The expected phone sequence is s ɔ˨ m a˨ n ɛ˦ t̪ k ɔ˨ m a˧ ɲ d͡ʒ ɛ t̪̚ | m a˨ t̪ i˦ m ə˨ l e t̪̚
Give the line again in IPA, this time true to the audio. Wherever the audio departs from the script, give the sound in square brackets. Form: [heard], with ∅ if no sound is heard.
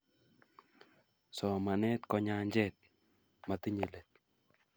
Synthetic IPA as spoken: s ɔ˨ m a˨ n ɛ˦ t̪ k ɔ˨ [ɲ] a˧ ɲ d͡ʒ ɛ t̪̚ | m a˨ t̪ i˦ [ɲ] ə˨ l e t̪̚